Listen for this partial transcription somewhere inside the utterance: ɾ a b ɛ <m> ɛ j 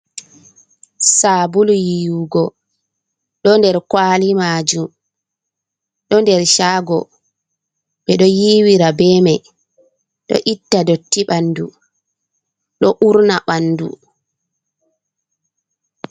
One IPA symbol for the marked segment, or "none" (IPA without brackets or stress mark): m